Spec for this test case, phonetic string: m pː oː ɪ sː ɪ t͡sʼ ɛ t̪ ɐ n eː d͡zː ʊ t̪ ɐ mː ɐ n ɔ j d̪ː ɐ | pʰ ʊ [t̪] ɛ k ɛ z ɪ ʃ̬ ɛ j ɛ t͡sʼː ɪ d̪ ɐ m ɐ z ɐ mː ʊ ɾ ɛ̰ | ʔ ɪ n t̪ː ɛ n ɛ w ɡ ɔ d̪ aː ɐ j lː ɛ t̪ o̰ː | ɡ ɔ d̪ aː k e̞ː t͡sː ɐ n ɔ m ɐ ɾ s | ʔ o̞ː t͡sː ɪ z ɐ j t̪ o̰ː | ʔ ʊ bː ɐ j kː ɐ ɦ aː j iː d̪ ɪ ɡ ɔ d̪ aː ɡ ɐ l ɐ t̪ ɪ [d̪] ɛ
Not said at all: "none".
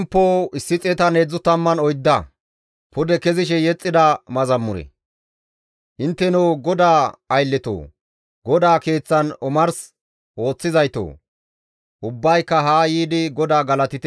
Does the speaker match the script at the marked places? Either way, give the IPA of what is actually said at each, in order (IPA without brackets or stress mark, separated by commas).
d̪, t̪